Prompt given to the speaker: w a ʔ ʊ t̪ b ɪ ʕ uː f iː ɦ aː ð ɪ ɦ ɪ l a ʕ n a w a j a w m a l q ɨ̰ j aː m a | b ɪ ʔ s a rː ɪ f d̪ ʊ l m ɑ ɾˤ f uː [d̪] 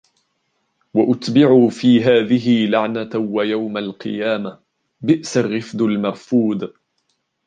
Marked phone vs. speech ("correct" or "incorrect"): correct